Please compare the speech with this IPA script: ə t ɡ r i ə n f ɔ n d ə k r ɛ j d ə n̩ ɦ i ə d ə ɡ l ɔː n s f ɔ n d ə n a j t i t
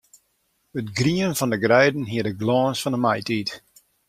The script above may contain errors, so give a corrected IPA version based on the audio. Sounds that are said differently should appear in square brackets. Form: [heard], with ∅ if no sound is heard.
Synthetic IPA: ə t ɡ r i ə n f ɔ n d ə [ɡ] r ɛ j d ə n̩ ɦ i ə d ə ɡ l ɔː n s f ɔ n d ə [m] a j t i t